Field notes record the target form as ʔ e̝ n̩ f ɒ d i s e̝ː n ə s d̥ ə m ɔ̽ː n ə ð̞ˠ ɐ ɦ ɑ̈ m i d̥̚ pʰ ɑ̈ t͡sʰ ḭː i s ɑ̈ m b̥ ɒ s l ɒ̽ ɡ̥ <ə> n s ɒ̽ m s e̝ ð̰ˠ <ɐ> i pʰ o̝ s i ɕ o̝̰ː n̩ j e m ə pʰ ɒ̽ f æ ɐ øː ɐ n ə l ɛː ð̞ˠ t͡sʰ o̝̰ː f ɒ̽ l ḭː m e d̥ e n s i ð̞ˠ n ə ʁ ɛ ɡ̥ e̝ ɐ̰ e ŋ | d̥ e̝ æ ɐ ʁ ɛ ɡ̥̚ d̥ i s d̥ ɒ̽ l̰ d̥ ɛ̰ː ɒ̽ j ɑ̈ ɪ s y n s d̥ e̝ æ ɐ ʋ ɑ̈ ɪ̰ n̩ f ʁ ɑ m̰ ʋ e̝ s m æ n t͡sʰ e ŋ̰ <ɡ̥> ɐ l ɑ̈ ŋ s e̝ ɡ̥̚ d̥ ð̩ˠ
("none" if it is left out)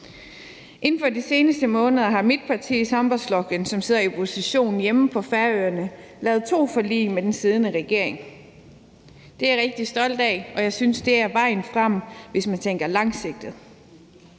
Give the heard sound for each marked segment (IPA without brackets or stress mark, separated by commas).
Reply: ə, ɐ, ɡ̥